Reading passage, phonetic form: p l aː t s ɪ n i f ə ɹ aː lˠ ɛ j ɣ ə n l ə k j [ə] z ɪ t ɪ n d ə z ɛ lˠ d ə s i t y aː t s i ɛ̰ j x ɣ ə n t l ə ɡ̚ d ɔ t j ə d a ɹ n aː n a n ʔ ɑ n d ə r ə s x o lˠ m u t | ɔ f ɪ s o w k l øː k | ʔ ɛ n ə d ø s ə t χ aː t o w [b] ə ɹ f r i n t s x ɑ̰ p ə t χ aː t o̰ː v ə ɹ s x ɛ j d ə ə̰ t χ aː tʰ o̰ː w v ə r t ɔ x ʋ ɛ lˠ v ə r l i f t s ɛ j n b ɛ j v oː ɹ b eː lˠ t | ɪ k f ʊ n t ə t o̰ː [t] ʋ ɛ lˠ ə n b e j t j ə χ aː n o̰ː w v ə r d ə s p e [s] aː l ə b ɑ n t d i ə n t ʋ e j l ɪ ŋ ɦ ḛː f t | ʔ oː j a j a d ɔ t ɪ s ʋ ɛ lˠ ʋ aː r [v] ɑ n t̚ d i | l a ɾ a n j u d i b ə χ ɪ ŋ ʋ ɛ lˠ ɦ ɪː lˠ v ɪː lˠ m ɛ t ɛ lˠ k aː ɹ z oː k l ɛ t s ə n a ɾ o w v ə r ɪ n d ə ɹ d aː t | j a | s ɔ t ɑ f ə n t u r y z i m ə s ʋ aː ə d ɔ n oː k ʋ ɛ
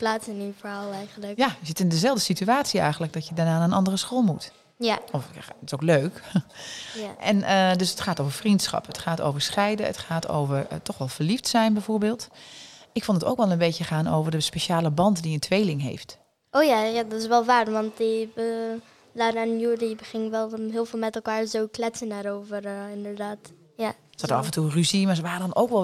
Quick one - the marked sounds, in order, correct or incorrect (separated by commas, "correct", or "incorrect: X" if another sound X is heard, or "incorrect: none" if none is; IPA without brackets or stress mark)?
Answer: incorrect: a, incorrect: v, incorrect: k, incorrect: ʃ, incorrect: ʋ